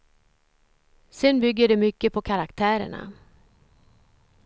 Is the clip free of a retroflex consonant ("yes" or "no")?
no